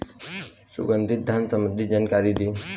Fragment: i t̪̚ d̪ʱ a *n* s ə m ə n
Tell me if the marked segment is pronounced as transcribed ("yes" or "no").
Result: yes